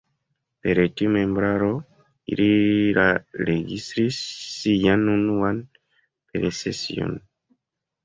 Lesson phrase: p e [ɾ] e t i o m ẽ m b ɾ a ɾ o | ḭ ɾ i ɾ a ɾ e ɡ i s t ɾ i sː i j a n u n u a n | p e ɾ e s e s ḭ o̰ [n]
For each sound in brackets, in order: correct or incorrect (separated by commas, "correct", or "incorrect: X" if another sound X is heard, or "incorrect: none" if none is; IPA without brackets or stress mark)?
correct, correct